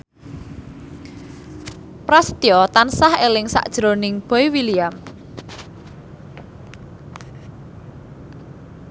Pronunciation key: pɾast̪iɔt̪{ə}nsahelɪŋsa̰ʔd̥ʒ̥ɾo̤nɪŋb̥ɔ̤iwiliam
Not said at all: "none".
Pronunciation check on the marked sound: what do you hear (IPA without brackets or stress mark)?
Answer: a